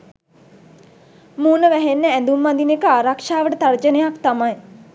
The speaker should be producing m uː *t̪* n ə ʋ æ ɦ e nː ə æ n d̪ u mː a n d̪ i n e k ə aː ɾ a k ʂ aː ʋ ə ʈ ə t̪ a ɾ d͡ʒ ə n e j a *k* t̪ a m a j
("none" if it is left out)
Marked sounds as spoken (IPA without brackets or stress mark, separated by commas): none, k